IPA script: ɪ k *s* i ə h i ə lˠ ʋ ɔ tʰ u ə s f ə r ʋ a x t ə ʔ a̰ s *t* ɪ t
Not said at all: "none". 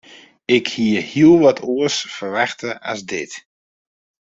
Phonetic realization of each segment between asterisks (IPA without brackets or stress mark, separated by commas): h, d